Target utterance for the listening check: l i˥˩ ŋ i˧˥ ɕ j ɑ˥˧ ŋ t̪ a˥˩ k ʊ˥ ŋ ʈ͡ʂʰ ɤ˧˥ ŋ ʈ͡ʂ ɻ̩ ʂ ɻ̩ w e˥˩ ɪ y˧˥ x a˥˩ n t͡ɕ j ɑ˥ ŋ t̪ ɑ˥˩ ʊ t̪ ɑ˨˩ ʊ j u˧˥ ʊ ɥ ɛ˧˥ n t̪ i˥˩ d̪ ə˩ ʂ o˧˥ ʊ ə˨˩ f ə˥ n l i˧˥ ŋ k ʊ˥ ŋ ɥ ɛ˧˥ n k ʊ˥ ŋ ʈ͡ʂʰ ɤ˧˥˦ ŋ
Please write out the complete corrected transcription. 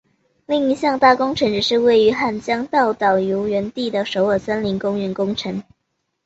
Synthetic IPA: l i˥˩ ŋ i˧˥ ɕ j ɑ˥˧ ŋ t̪ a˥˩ k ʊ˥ ŋ ʈ͡ʂʰ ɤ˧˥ ŋ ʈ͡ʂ ɻ̩ ʂ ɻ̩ w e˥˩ ɪ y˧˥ x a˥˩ n t͡ɕ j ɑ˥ ŋ t̪ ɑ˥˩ ʊ t̪ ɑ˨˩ ʊ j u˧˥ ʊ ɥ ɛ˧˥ n t̪ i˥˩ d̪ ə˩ ʂ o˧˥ ʊ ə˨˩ s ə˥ n l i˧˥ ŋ k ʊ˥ ŋ ɥ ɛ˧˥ n k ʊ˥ ŋ ʈ͡ʂʰ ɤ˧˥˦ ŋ